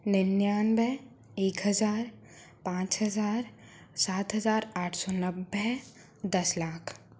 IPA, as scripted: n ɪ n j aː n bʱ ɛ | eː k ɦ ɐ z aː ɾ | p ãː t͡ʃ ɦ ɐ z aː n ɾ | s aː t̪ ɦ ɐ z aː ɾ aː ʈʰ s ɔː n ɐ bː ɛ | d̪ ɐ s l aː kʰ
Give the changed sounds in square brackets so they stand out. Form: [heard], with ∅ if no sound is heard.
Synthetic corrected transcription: n ɪ n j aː n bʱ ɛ | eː k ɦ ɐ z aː ɾ | p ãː t͡ʃ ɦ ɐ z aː [∅] ɾ | s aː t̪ ɦ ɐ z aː ɾ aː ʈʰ s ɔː n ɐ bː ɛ | d̪ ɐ s l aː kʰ